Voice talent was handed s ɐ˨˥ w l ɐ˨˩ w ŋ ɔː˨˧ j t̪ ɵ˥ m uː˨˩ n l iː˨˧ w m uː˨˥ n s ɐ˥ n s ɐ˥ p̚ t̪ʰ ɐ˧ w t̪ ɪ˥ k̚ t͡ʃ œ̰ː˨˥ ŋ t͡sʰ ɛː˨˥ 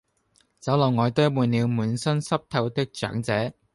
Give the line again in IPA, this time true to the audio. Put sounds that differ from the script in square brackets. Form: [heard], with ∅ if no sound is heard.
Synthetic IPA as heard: [t͡s] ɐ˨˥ w l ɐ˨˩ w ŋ ɔː˨˧ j t̪ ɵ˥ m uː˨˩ n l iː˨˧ w m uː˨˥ n s ɐ˥ n s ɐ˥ p̚ t̪ʰ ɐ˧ w t̪ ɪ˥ k̚ t͡ʃ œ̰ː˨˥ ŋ [t͡s] ɛː˨˥